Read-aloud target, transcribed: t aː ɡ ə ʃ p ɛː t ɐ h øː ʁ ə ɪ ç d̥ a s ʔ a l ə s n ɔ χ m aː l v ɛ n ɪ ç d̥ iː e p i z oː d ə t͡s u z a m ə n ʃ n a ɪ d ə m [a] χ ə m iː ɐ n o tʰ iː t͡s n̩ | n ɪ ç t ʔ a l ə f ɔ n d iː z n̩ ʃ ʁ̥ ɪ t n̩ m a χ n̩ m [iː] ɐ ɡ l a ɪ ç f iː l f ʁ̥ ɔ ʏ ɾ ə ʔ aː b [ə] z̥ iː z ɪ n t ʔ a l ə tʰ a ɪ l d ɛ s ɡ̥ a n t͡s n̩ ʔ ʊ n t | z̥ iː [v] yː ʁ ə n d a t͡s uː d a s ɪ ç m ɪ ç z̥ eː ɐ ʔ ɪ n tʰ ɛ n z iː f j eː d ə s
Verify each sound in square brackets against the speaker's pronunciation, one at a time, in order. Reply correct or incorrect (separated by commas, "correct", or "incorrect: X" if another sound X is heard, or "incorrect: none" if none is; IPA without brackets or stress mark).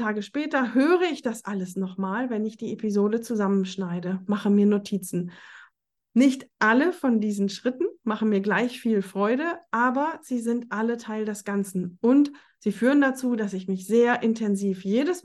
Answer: correct, correct, incorrect: ɐ, incorrect: f